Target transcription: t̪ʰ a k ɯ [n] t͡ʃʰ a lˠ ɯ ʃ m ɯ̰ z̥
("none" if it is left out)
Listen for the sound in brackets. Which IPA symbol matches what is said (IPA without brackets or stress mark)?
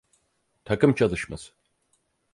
m